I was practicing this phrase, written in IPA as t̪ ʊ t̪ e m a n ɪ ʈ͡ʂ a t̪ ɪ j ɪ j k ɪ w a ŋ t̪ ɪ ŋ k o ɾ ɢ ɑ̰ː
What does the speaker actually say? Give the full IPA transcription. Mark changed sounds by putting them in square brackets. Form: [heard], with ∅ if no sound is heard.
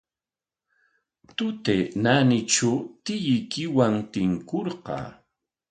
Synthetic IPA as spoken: t̪ ʊ t̪ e [n] a n ɪ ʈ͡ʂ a t̪ ɪ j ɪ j k ɪ w a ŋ t̪ ɪ ŋ k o ɾ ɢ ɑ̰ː